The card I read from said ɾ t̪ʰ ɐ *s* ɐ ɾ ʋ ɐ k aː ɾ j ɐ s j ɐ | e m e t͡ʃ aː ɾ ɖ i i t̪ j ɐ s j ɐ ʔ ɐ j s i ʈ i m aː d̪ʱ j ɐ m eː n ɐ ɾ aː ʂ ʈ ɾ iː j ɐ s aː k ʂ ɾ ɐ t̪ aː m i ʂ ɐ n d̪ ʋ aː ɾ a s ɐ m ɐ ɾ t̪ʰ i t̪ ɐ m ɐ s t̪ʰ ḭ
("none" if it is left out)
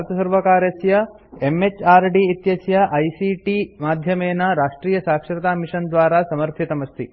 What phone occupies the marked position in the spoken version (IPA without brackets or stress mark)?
s